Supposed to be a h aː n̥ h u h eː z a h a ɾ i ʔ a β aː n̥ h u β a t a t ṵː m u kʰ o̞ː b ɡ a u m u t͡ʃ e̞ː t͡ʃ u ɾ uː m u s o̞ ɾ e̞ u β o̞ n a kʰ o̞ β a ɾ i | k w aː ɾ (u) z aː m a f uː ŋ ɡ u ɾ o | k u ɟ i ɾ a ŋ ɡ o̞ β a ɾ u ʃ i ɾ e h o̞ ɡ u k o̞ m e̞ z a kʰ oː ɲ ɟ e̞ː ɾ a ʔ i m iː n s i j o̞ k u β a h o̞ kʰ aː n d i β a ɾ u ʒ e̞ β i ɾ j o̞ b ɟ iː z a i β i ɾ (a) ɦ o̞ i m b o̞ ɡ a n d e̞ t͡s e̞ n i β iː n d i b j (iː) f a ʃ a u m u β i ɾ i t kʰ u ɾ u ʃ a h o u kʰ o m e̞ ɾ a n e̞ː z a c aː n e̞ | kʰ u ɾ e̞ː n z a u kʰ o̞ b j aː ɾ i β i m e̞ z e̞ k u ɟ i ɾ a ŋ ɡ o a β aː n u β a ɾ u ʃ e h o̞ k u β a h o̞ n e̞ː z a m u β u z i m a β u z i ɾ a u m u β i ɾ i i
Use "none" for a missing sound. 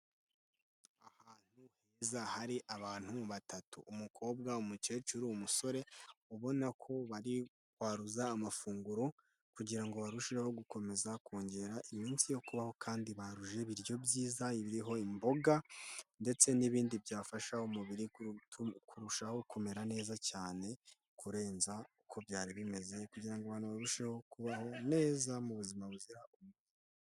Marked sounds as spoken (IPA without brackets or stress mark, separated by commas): u, i, aː